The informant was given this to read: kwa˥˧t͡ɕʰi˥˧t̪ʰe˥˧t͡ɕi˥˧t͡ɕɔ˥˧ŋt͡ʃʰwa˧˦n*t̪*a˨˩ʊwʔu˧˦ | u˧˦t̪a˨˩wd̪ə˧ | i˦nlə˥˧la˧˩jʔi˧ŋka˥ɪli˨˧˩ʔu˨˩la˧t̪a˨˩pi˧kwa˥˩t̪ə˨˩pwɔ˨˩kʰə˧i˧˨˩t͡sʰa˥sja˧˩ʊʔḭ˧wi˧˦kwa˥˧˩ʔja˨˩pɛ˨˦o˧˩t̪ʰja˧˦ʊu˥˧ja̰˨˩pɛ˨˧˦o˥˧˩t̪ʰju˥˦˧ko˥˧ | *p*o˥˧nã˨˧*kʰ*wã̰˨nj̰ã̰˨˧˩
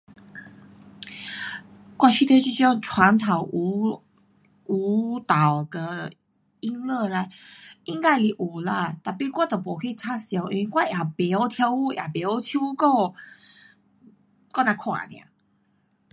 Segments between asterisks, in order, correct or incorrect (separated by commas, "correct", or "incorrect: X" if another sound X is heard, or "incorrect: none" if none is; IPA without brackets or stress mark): incorrect: t̪ʰ, incorrect: k, correct